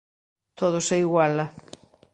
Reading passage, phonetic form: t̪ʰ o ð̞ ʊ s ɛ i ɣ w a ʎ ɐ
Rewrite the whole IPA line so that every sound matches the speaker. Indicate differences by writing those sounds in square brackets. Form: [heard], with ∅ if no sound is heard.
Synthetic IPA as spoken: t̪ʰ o ð̞ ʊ s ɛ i ɣ w a [l] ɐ